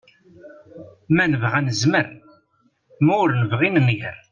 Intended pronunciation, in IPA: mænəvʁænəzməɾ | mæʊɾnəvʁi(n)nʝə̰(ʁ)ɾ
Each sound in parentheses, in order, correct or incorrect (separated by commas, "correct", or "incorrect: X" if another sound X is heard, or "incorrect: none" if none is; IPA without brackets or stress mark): correct, incorrect: none